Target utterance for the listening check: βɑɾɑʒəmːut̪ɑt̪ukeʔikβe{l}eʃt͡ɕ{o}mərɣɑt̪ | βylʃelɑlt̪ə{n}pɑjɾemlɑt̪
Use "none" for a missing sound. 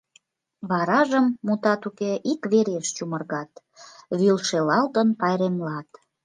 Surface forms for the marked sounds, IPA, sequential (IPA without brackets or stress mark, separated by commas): ɾ, u, n